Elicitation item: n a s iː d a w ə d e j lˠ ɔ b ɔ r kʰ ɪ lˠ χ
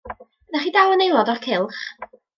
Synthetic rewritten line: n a χ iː d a w ə n e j lˠ ɔ d ɔ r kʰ ɪ lˠ χ